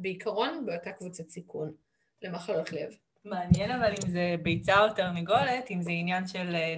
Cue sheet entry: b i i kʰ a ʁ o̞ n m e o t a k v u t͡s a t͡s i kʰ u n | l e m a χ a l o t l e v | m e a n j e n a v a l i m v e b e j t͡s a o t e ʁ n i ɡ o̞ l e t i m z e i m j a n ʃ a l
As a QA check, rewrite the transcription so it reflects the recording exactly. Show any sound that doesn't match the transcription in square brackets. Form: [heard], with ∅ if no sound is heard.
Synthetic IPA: b [e] i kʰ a ʁ o̞ n [b] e o t a k v u t͡s a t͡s i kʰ u n | l e m a χ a l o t l e v | m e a n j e n a v a l i m [z] e b e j t͡s a o t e ʁ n i ɡ o̞ l e t i m z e i [n] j a n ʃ [e] l